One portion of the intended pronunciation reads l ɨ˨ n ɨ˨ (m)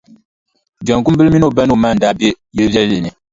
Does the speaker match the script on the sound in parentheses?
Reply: no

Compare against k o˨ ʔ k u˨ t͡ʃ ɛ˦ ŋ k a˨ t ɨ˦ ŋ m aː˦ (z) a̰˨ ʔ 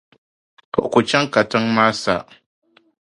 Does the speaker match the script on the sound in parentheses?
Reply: no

